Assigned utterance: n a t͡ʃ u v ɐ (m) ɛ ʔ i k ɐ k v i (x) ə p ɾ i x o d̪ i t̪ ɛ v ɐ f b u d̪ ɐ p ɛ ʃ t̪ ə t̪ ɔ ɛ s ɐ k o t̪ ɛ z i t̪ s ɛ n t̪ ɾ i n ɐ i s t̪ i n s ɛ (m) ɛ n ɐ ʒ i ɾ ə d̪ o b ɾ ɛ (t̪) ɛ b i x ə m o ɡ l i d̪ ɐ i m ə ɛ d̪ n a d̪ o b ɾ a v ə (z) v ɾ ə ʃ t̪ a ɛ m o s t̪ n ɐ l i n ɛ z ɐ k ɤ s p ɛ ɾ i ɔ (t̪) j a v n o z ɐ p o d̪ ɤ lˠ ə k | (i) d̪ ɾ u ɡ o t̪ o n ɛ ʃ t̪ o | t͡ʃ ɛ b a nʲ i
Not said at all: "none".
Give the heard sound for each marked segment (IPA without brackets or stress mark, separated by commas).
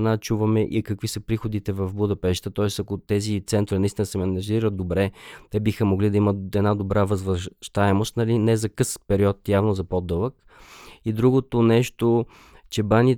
m, s, m, t̪, z, t̪, i